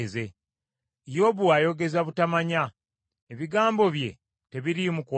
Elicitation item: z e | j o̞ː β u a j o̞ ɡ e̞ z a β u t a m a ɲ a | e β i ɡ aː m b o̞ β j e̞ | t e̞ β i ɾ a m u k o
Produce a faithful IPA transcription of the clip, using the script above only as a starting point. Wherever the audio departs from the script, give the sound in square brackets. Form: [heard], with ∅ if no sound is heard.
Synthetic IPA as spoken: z e | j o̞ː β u a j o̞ ɡ e̞ z a β u t a m a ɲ a | e β i ɡ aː m b o̞ β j e̞ | t e̞ β i ɾ [i] m u k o